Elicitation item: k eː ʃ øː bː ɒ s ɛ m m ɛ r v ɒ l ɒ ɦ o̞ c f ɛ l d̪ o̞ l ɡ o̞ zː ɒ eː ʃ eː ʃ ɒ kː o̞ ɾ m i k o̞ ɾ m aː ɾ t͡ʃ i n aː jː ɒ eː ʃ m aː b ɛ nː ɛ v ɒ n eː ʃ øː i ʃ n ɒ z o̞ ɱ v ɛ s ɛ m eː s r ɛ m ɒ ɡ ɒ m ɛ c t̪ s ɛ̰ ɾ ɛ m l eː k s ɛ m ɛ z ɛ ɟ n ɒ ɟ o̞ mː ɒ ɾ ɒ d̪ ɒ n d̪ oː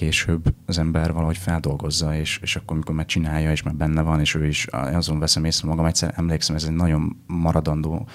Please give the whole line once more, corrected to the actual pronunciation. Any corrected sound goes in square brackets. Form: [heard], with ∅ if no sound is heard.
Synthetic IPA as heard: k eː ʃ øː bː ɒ [z] ɛ m [b] ɛ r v ɒ l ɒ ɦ o̞ c f ɛ l d̪ o̞ l ɡ o̞ zː ɒ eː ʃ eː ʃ ɒ kː o̞ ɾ m i k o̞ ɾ m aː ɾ t͡ʃ i n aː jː ɒ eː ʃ m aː b ɛ nː ɛ v ɒ n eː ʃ øː i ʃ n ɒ z o̞ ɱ v ɛ s ɛ m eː s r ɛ m ɒ ɡ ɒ m ɛ c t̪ s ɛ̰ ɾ ɛ m l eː k s ɛ m ɛ z ɛ ɟ n ɒ ɟ o̞ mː ɒ ɾ ɒ d̪ ɒ n d̪ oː